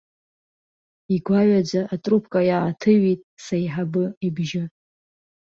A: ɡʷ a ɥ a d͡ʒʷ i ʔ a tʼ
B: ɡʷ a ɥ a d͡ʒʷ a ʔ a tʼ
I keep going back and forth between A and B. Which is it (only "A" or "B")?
B